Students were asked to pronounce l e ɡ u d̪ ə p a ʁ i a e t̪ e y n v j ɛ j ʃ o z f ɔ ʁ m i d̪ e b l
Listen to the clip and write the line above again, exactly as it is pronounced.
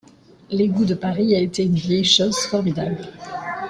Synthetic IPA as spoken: l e ɡ u d̪ ə p a ʁ i a e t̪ e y n v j ɛ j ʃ o z f ɔ ʁ m i d̪ a b l